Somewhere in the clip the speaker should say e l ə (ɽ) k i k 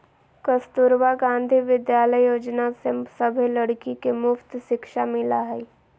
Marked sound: correct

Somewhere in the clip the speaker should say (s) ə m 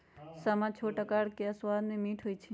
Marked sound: correct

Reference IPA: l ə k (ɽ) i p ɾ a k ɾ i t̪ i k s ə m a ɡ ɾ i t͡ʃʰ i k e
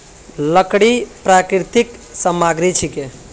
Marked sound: correct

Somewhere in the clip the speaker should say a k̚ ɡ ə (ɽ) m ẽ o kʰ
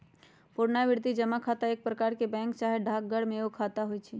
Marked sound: correct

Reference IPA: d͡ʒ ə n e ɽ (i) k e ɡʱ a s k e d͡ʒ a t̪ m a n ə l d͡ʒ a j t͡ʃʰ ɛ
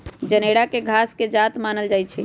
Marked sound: incorrect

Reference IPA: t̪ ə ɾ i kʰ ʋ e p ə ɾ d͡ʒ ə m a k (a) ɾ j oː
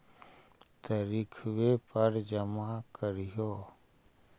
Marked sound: incorrect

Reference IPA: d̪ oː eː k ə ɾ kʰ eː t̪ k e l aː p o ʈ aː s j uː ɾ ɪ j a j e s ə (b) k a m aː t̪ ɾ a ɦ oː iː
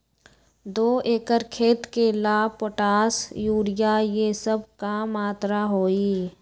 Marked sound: correct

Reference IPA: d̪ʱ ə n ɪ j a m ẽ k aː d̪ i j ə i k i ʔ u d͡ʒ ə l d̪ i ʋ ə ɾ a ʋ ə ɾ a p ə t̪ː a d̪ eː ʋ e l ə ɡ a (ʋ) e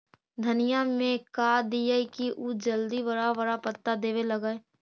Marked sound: incorrect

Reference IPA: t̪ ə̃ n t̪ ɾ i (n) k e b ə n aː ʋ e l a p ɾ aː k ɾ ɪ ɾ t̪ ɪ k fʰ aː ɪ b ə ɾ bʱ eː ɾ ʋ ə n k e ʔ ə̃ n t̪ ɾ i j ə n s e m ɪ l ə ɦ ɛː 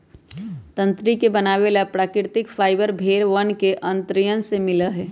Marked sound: incorrect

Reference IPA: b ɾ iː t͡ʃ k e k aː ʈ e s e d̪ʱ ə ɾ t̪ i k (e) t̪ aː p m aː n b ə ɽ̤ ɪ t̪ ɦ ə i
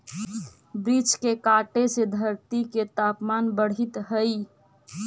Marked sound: correct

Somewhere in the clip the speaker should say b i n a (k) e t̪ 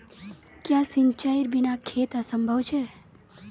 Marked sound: incorrect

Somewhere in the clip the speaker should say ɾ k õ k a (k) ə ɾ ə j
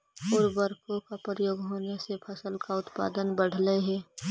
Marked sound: incorrect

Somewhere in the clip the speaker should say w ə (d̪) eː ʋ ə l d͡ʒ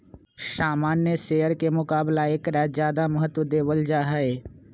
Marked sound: correct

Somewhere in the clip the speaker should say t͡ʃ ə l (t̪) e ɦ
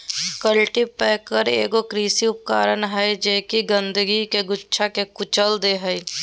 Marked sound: incorrect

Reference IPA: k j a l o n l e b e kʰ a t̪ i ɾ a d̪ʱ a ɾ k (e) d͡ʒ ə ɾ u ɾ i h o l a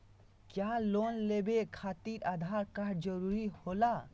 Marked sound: incorrect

